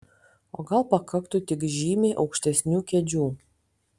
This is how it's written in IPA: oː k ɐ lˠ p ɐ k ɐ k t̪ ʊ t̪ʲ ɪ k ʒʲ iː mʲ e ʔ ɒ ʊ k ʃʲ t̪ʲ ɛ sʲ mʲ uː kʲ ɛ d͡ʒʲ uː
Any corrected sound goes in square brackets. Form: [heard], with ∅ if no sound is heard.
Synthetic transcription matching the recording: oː [ɡ] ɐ lˠ p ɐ k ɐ k t̪ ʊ t̪ʲ ɪ k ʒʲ iː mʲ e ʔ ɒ ʊ k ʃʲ t̪ʲ ɛ sʲ [nʲ] uː kʲ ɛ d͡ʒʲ uː